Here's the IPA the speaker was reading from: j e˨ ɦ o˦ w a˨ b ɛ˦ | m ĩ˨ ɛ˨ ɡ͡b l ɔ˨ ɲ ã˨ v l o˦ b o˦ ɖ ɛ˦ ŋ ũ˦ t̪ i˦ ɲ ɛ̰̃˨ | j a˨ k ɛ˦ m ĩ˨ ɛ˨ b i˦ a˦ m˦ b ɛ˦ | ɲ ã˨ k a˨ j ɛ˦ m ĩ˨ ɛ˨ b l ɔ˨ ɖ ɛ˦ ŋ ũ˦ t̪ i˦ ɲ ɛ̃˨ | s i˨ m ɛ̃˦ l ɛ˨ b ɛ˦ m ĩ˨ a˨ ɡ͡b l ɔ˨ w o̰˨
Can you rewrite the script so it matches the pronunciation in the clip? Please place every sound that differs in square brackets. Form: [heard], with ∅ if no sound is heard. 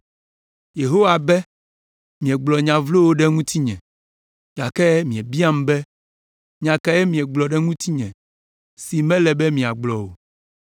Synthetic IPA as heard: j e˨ ɦ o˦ w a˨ b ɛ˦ | m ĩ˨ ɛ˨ ɡ͡b l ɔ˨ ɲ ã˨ v l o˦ [w] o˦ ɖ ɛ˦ ŋ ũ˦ t̪ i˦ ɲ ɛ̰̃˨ | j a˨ k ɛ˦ m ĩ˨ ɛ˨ b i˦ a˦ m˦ b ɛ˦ | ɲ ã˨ k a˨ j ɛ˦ m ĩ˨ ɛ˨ [ɡ͡b] l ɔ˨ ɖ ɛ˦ ŋ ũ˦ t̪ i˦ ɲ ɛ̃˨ | s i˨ m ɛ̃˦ l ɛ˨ b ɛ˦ m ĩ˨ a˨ ɡ͡b l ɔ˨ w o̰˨

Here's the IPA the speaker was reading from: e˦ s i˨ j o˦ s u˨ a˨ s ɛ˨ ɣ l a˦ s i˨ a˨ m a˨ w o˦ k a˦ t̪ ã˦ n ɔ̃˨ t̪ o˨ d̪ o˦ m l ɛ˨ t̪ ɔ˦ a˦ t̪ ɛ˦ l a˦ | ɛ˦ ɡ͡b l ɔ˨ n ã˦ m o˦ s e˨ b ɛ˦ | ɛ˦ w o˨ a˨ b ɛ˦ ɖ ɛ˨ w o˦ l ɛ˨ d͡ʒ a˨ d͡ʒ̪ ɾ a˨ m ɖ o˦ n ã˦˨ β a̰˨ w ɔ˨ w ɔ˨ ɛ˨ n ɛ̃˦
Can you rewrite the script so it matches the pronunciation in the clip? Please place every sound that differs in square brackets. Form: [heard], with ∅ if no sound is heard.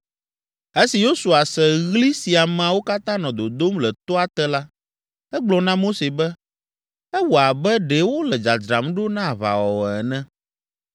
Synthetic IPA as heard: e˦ s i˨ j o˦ s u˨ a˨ s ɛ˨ ɣ l [i˦] s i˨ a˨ m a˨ w o˦ k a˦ t̪ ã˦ n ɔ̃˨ [d̪] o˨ d̪ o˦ m l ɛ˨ t̪ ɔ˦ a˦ t̪ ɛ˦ l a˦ | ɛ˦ ɡ͡b l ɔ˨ n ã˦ m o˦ s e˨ b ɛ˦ | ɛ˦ w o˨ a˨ b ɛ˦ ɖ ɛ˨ w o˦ l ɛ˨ d͡ʒ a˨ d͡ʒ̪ ɾ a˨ m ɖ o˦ n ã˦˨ β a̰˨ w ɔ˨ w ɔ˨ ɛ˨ n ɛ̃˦

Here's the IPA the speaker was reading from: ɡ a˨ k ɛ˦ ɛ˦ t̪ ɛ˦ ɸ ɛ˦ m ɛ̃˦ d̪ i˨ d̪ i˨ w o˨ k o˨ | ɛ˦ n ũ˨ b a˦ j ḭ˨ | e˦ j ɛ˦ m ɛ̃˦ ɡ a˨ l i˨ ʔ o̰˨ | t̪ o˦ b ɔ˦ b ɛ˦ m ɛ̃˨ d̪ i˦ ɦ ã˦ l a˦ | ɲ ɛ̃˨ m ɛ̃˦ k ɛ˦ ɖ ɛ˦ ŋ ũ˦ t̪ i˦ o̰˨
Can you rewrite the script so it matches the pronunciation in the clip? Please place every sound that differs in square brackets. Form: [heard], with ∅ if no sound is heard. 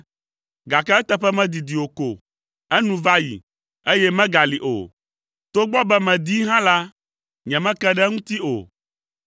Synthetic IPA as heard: ɡ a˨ k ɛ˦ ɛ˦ t̪ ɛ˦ ɸ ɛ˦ m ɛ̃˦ d̪ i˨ d̪ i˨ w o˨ k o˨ | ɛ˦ n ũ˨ [v] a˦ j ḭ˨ | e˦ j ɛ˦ m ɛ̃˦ ɡ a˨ l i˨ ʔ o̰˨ | t̪ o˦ [ɡ͡b] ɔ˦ b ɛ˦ m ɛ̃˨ d̪ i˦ ɦ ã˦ l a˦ | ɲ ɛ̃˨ m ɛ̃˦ k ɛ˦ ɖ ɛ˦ ŋ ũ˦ t̪ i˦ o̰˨

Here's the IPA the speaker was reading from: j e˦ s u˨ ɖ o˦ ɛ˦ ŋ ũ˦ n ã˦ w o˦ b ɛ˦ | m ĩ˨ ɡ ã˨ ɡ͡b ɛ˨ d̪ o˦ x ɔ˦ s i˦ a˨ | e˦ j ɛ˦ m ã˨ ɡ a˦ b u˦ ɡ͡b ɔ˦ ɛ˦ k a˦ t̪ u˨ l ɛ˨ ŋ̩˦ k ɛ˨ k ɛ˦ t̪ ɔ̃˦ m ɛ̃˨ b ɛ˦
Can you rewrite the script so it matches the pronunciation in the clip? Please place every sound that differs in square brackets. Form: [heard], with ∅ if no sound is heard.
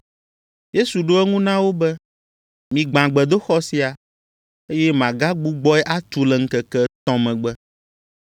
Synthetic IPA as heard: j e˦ s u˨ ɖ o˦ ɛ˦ ŋ ũ˦ n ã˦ w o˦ b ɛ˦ | m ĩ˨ [ɡ͡b] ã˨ ɡ͡b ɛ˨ d̪ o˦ x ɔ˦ s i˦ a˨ | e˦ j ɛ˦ m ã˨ ɡ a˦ [ɡ͡b] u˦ ɡ͡b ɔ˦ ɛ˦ [ʔ] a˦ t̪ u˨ l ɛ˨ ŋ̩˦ k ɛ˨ k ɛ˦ t̪ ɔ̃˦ m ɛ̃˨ [ɡ͡b] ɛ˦

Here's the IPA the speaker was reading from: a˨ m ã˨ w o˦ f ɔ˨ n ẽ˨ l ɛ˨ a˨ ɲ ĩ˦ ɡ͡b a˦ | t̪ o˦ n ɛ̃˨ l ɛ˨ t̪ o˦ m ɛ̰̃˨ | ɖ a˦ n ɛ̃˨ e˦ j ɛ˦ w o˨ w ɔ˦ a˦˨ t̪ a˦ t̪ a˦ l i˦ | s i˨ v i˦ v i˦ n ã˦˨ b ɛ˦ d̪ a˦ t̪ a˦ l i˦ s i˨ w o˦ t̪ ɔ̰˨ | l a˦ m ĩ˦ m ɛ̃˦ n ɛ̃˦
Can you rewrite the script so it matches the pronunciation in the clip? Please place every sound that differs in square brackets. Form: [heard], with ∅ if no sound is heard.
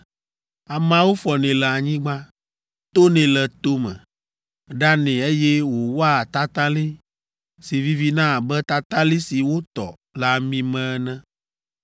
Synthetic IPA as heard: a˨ m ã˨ w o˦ f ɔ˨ n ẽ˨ l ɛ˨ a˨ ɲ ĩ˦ ɡ͡b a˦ | t̪ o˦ n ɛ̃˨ l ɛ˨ t̪ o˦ m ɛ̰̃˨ | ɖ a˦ n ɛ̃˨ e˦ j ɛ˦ w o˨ w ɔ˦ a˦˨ t̪ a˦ t̪ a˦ l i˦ | s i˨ v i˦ v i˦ n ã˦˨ b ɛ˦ [t̪] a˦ t̪ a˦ l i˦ s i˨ w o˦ t̪ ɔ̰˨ | l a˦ m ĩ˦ m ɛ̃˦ n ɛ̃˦

